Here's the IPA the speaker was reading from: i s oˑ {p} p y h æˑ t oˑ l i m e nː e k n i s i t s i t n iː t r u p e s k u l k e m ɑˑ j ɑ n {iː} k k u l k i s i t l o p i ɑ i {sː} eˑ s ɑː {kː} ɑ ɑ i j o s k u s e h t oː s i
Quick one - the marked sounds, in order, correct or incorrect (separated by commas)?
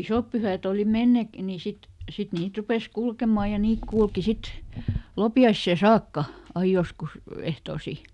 correct, correct, correct, correct